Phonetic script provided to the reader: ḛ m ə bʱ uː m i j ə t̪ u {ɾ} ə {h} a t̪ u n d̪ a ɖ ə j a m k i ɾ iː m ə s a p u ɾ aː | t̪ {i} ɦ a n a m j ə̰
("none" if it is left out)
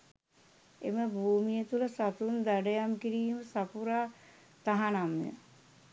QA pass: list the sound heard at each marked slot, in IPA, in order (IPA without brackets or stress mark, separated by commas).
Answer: l, s, a